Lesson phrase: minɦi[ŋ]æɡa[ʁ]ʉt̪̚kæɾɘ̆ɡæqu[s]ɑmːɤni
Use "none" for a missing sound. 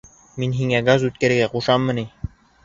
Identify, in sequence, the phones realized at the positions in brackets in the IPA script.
ŋ, z, ʃ

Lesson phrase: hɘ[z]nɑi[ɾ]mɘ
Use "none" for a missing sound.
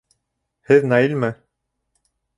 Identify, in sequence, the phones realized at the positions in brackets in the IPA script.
ð, l

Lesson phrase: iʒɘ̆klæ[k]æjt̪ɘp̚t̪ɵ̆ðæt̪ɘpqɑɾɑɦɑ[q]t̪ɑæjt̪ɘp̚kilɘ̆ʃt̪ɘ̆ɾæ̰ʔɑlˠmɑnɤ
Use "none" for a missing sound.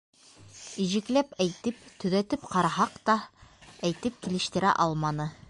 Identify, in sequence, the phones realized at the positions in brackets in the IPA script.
p, q

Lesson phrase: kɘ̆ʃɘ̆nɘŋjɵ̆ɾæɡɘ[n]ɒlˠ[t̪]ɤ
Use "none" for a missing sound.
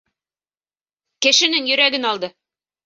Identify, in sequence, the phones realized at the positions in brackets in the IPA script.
n, d̪

